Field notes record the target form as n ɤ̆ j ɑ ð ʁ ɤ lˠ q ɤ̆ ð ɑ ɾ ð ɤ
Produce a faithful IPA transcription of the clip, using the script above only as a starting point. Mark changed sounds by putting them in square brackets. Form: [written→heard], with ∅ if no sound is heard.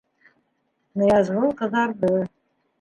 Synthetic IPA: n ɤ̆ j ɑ [ð→z] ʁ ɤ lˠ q ɤ̆ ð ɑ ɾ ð ɤ